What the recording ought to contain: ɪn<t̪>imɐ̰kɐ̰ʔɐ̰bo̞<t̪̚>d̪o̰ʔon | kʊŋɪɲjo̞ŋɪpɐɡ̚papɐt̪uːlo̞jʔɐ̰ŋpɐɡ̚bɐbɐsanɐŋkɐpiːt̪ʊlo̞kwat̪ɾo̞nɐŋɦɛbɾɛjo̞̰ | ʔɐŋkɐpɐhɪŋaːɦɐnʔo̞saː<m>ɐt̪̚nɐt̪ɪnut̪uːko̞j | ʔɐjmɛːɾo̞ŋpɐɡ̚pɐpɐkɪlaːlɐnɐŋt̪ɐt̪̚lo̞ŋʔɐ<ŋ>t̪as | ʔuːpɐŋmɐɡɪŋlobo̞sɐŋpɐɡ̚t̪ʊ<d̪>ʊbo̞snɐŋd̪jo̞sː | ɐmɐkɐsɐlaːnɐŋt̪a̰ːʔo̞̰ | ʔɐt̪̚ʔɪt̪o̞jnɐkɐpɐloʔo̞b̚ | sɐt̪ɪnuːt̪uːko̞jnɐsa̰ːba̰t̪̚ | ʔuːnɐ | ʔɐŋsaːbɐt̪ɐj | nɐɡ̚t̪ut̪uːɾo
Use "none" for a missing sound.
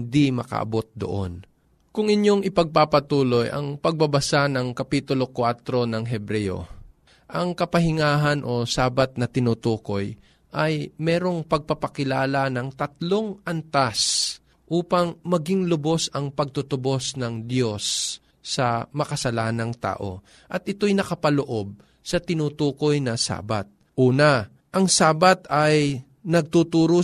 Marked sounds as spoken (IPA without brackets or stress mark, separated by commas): d̪, t̪̚, b, n, t̪